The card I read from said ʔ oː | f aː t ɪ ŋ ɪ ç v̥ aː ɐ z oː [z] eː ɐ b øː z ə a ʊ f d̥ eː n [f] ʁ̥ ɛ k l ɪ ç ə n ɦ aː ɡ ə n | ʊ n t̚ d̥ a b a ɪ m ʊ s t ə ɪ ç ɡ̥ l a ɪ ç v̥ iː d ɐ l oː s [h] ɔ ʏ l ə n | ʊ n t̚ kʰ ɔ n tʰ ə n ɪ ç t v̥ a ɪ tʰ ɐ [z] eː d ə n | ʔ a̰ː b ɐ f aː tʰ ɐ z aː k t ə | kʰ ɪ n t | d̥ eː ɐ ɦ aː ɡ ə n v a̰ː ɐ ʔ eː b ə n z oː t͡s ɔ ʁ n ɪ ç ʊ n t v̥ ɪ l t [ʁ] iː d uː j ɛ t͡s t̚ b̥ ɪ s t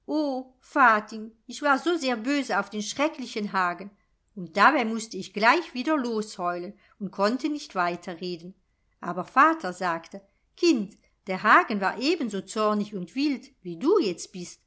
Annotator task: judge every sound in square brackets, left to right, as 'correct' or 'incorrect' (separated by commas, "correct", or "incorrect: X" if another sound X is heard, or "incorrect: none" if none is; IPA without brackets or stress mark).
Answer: correct, incorrect: ʃ, correct, incorrect: ʁ, incorrect: v